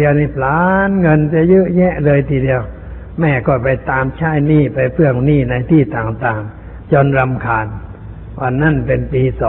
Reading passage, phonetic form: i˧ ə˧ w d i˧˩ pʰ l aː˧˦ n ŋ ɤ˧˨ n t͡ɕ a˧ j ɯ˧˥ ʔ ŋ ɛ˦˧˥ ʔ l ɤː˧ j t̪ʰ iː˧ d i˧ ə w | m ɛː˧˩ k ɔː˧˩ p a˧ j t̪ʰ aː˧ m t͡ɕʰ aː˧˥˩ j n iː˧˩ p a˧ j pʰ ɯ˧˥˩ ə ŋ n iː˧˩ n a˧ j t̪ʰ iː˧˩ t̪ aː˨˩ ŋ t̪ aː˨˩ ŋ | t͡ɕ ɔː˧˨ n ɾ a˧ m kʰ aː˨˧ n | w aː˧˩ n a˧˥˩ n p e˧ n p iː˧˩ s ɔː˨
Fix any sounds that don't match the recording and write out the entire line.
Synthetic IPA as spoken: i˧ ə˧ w n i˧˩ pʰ l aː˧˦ n ŋ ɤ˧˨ n t͡ɕ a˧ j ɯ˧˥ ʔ ɲ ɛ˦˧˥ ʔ l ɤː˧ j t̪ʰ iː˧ d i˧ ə w | m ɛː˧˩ k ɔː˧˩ p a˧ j t̪ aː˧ m t͡ɕʰ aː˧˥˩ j n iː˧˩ p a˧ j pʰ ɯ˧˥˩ ə ŋ n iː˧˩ n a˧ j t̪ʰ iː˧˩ t̪ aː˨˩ ŋ t̪ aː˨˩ ŋ | t͡ɕ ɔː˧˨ n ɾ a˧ m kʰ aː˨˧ n | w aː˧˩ n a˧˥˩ n p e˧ n p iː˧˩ s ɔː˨